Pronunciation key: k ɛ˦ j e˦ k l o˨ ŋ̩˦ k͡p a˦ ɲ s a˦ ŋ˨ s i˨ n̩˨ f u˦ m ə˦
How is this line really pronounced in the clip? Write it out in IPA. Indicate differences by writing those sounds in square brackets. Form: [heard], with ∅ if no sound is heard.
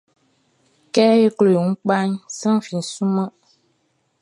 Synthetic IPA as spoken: k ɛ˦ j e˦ k l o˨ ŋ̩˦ k͡p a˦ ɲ s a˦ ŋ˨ [f] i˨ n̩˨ [s] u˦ m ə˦